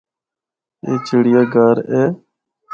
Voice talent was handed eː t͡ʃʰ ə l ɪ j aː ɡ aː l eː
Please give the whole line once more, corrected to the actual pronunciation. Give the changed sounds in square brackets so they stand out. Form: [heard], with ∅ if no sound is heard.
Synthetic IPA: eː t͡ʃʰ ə [ɽ] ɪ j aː ɡ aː [ɾ] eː